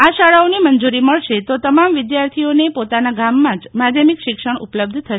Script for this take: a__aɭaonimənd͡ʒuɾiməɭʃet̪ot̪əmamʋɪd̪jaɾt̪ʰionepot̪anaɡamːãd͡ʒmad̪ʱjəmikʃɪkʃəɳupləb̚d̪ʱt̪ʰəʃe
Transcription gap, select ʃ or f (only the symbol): ʃ